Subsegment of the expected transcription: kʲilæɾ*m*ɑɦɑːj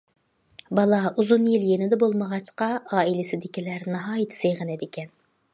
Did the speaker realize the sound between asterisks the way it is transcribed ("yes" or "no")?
no